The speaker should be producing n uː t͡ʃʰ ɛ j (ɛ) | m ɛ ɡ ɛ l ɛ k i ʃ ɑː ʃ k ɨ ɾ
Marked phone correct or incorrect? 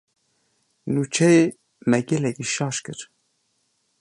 incorrect